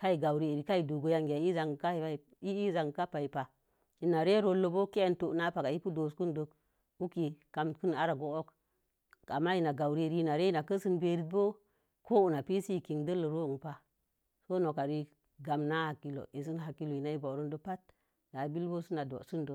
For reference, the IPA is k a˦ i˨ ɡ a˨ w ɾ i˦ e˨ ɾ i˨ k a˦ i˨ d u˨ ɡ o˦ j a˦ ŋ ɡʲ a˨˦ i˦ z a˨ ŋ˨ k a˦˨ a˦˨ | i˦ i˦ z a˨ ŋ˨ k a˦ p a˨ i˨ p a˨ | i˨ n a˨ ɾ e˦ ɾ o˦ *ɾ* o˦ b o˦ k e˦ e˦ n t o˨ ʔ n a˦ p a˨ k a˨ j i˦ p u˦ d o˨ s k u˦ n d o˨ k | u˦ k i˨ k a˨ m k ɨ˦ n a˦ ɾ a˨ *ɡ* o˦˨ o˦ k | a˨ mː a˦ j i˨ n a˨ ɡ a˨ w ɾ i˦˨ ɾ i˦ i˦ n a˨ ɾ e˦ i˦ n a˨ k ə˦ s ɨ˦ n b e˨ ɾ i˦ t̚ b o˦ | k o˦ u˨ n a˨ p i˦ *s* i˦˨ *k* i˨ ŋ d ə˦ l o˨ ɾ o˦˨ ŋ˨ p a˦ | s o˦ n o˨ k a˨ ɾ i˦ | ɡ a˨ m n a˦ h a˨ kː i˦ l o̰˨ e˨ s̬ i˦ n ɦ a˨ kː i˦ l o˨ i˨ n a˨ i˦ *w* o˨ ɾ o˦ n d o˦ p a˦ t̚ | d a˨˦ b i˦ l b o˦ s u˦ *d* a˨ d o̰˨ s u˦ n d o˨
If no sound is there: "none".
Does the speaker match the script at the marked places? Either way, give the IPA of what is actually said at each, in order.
l, ɡ, s, k, b, n

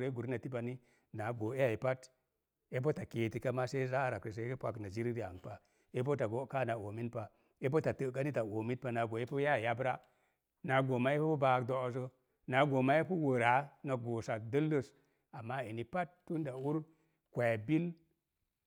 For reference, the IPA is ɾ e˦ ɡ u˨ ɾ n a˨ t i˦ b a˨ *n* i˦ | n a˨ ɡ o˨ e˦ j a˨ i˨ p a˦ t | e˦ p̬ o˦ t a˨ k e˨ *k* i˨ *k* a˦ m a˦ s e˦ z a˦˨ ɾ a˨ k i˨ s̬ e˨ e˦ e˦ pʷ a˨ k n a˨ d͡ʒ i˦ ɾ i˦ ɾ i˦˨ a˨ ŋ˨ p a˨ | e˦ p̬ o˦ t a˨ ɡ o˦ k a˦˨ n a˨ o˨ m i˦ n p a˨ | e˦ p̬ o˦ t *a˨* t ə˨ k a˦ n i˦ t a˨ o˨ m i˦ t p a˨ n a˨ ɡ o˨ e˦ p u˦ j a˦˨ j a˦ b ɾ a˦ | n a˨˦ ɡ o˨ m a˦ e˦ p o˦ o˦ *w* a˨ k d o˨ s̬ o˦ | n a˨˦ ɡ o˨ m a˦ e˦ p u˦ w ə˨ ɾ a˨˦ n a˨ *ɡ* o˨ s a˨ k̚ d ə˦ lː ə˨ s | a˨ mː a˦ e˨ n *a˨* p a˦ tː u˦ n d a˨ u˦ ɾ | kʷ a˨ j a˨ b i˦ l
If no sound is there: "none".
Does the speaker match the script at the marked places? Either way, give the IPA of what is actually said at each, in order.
n, t, k, a˨, b, ɡ, i˨

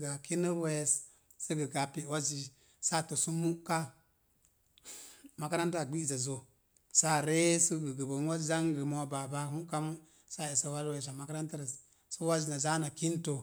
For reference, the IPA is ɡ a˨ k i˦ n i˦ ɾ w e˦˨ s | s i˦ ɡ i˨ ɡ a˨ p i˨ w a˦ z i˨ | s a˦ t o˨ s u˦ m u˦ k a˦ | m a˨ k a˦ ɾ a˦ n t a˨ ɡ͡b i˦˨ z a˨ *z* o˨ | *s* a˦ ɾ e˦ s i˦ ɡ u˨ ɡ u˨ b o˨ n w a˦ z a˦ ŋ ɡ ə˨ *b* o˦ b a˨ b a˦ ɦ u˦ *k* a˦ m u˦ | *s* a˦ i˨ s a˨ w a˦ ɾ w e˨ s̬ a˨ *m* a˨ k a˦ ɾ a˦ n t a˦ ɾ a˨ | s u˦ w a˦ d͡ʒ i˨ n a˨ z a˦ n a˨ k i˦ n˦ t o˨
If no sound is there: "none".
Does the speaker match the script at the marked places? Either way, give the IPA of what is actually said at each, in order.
z, s, m, k, s, m

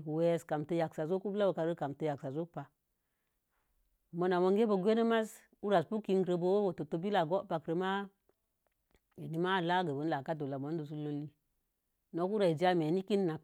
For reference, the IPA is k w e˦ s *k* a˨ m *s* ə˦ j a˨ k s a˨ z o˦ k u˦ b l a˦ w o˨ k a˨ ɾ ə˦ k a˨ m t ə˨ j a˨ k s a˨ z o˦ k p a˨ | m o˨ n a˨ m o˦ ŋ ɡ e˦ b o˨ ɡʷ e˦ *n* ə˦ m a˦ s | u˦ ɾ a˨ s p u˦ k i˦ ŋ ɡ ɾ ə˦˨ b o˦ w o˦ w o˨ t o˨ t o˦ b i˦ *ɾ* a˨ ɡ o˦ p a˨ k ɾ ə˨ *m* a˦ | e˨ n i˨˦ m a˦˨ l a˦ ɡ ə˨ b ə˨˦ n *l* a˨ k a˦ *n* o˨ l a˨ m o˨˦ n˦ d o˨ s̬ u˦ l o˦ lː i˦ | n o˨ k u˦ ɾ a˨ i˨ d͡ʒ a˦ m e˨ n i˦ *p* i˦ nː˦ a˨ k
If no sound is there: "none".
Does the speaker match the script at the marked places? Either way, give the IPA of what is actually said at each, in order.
k, t, n, l, m, l, d, k

